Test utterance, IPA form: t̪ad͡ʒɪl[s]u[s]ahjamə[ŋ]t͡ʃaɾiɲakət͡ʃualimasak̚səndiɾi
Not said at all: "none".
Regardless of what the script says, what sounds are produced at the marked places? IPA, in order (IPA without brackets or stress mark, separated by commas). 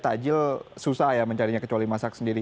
s, s, ɲ